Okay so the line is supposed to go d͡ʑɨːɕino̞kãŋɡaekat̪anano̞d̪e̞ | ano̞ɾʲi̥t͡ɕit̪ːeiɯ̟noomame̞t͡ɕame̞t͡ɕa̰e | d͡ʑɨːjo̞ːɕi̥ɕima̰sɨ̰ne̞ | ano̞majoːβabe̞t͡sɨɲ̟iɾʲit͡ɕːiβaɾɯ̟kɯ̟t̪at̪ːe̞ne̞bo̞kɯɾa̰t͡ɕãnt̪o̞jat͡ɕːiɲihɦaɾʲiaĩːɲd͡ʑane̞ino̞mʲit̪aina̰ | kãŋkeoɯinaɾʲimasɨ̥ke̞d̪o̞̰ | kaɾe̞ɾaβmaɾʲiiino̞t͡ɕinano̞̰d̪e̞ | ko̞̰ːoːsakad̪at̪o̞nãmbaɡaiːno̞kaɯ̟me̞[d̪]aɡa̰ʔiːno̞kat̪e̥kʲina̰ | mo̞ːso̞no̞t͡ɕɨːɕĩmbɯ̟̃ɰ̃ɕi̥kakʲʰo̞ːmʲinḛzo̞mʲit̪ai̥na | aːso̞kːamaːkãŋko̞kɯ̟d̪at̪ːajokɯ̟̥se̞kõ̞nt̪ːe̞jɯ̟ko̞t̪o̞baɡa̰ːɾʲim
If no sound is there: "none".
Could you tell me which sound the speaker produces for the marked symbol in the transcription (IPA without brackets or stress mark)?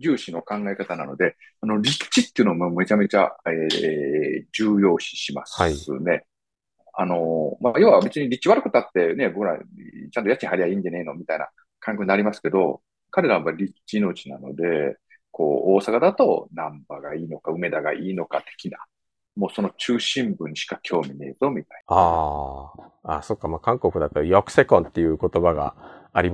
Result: d̪